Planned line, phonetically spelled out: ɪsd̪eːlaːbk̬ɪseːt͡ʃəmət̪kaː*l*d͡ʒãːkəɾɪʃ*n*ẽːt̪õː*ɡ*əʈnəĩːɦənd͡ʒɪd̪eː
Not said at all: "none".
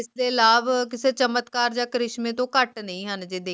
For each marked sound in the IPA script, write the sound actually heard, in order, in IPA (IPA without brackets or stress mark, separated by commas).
ɾ, m, k